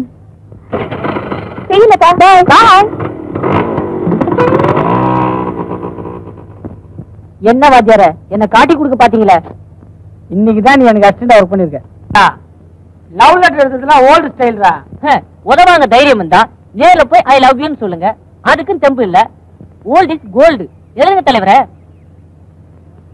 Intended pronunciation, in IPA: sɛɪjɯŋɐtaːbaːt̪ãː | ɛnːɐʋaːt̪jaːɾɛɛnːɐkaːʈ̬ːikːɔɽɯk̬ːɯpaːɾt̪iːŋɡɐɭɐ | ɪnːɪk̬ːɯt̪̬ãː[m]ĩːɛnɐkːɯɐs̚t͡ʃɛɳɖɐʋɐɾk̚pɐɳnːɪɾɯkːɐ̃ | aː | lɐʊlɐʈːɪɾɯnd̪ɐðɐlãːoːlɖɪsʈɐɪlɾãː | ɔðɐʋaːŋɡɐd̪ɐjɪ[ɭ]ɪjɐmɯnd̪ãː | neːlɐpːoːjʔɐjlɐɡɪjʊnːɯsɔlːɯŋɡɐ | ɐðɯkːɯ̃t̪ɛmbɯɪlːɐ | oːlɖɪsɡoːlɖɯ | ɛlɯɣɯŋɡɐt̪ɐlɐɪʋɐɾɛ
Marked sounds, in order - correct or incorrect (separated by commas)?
incorrect, incorrect